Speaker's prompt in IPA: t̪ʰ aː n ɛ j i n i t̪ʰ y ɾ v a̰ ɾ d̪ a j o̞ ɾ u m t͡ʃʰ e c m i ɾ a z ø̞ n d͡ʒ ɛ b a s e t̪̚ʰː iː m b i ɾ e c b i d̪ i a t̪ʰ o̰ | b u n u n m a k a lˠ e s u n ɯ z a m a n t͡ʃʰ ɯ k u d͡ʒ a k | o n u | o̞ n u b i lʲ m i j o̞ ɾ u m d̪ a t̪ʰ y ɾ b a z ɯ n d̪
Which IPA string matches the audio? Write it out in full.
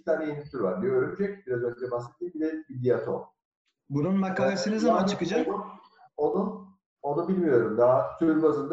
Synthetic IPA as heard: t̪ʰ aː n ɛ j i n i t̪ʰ y ɾ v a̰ ɾ d̪ i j o̞ ɾ u m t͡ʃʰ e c b i ɾ a z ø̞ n d͡ʒ ɛ b a s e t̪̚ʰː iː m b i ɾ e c b i d̪ i a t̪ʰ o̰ | b u n u n m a k a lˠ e s ɯ n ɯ z a m a n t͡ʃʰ ɯ k ɯ d͡ʒ a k | o n u | o̞ n u b i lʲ m i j o̞ ɾ u m d̪ a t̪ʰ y ɾ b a z ɯ n d̪